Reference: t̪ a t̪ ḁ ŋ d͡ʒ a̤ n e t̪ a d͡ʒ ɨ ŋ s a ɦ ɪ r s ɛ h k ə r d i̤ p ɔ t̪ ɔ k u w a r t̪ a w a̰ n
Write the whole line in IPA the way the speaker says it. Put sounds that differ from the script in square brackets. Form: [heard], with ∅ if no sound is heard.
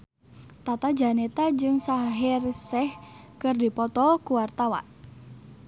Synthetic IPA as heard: t̪ a t̪ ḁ [∅] d͡ʒ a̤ n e t̪ a d͡ʒ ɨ ŋ s a ɦ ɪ r s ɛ h k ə r d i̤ p ɔ t̪ ɔ k u w a r t̪ a w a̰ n